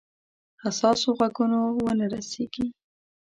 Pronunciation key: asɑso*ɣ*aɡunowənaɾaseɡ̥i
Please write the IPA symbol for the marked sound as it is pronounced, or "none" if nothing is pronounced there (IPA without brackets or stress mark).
ɣ